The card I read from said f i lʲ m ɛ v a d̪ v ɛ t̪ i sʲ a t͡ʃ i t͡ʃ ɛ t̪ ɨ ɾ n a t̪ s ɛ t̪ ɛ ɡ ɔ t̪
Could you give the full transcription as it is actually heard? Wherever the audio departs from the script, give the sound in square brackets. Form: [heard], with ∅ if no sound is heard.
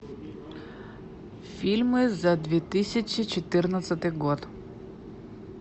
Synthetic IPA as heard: f i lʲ m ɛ [z] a d̪ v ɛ t̪ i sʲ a t͡ʃ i t͡ʃ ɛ t̪ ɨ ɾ n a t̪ s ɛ t̪ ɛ ɡ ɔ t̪